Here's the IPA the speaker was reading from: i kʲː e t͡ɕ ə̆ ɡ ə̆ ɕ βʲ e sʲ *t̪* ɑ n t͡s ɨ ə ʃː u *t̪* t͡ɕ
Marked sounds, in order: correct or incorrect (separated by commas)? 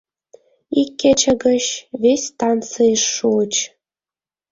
correct, incorrect